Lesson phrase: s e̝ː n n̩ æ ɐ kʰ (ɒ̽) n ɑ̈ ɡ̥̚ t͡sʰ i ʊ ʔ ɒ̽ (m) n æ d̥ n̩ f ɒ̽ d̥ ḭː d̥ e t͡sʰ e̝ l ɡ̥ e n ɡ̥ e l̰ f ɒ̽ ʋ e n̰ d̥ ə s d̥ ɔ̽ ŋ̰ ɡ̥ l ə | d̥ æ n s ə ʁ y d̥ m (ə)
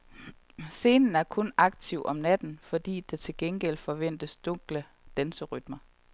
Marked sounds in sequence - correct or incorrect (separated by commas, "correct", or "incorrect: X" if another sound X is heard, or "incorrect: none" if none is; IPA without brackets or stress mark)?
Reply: incorrect: ɔ̽, correct, incorrect: ɐ